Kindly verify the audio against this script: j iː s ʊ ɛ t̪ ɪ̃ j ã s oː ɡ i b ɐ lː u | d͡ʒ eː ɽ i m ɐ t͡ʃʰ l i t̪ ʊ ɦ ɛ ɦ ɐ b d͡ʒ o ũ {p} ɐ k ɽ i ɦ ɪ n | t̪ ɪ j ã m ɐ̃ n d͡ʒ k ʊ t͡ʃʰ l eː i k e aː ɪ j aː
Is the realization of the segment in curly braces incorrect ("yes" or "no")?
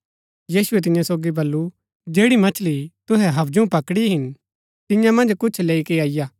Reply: no